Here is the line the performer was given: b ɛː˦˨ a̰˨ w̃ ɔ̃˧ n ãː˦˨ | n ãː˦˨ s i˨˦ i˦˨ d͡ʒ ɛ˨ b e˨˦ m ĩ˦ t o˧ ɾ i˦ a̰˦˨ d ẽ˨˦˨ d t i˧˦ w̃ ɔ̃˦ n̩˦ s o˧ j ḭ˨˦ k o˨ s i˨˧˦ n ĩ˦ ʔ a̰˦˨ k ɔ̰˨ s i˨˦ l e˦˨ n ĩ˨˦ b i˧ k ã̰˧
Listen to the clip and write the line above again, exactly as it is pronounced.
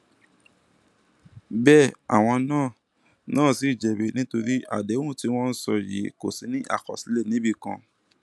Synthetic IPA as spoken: b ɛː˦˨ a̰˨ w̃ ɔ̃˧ n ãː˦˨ | n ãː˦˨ s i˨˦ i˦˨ d͡ʒ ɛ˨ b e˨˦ n ĩ˦ t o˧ ɾ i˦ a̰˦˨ d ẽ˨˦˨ t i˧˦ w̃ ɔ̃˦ n̩˦ s ɔ˧ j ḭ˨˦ k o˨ s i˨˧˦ n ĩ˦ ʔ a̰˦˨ k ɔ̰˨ s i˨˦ l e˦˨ n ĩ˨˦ b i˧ k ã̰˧

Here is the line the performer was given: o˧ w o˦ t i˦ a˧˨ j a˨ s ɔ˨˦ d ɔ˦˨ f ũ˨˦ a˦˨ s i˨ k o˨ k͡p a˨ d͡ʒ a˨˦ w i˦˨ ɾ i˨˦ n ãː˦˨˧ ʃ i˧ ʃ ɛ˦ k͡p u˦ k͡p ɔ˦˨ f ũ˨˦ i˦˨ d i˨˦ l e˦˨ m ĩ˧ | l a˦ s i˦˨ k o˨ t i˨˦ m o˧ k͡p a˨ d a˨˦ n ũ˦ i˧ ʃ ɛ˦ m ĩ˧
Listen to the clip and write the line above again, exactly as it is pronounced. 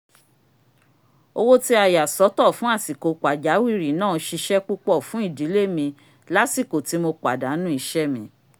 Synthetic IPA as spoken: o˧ w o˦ t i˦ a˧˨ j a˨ s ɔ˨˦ t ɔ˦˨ f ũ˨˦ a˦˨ s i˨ k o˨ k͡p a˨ d͡ʒ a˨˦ w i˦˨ ɾ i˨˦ n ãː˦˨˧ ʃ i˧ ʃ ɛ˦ k͡p u˦ k͡p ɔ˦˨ f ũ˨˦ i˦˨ d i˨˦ l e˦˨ m ĩ˧ | l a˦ s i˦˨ k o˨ t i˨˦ m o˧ k͡p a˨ d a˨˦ n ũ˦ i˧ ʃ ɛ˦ m ĩ˧

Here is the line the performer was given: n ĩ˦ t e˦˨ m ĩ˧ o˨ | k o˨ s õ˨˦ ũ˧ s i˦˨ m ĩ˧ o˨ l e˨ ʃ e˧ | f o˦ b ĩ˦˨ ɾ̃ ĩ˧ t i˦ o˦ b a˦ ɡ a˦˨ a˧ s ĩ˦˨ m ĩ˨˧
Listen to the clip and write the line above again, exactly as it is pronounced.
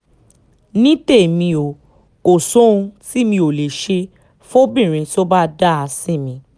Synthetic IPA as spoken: n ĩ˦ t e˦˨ m ĩ˧ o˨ | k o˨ s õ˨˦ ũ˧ t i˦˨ m ĩ˧ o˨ l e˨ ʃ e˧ | f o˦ b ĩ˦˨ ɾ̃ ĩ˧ t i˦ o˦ b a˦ d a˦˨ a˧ s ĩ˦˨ m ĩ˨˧

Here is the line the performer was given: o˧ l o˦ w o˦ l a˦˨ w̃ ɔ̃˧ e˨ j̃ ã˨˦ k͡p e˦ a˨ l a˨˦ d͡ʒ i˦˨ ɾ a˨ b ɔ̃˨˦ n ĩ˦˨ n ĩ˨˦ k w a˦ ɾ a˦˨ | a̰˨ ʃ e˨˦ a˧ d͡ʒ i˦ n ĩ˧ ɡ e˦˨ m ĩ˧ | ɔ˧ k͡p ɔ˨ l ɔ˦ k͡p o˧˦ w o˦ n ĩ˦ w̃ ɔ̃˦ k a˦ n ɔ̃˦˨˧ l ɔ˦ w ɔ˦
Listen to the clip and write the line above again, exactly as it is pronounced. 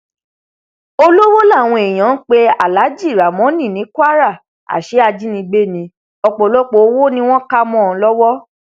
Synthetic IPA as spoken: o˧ l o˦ w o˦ l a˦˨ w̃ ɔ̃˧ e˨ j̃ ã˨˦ k͡p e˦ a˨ l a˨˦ d͡ʒ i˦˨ ɾ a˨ m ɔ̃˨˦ n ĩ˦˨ n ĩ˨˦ k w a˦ ɾ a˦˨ | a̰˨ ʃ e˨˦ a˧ d͡ʒ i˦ n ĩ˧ ɡ͡b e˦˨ n ĩ˧ | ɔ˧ k͡p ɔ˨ l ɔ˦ k͡p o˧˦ w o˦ n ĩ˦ w̃ ɔ̃˦ k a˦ m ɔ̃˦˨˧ l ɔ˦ w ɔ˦

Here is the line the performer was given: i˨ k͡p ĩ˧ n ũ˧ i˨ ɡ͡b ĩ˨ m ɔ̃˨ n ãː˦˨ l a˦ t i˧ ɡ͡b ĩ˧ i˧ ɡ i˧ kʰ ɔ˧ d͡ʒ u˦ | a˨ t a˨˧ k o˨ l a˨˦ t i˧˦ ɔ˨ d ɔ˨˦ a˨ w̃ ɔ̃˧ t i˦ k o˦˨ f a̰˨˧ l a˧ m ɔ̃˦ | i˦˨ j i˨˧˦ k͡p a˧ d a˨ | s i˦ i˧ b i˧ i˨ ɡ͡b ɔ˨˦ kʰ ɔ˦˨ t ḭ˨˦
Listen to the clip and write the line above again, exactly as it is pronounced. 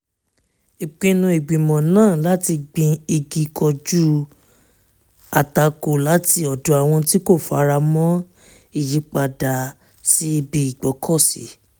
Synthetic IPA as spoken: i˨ k͡p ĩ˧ n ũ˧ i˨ ɡ͡b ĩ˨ m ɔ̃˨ n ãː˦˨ l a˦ t i˧ ɡ͡b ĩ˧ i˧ ɡ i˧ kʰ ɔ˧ d͡ʒ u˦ | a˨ t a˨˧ k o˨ l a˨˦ t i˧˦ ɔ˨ d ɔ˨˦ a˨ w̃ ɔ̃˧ t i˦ k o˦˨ f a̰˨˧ ɾ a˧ m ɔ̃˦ | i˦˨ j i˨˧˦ k͡p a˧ d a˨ | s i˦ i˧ b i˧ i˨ ɡ͡b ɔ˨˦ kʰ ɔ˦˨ s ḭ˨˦

